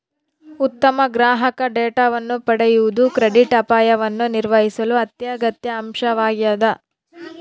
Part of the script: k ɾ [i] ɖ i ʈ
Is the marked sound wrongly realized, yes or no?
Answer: yes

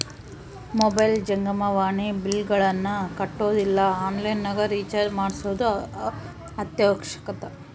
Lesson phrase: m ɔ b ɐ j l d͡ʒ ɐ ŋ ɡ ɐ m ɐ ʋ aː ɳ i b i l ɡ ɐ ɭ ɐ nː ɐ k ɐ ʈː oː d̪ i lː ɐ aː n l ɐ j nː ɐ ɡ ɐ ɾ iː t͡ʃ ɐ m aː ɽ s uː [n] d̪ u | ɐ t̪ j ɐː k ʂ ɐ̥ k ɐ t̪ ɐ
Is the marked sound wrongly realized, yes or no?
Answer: yes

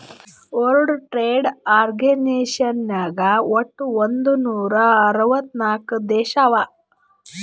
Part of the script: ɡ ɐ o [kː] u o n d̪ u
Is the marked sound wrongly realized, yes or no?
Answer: yes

